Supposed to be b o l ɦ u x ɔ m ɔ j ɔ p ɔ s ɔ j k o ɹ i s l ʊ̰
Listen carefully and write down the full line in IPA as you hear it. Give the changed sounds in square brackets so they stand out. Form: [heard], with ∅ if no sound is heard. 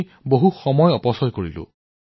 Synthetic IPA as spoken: b o [∅] ɦ u x ɔ m ɔ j ɔ p ɔ s ɔ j k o ɹ i [∅] l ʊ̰